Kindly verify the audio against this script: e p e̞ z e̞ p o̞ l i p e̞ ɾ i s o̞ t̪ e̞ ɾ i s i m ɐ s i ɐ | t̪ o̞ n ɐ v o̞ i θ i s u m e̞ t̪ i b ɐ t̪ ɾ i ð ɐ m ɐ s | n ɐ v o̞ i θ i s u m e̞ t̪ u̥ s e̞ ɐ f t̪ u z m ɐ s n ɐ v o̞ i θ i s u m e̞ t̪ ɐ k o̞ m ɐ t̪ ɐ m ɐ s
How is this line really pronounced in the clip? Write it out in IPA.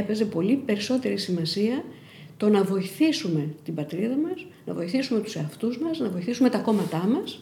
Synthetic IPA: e p e̞ z e̞ p o̞ l i p e̞ ɾ i s o̞ t̪ e̞ ɾ i s i m ɐ s i ɐ | t̪ o̞ n ɐ v o̞ i θ i s u m e̞ t̪ i b ɐ t̪ ɾ i ð ɐ m ɐ s | n ɐ v o̞ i θ i s u m e̞ t̪ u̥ s e̞ ɐ f t̪ u z m ɐ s n ɐ v o̞ i θ i s u m e̞ t̪ ɐ k o̞ m ɐ t̪ ɐ m ɐ s